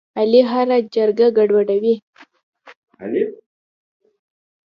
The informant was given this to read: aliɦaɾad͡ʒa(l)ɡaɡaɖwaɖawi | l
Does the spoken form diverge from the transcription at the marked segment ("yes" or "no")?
yes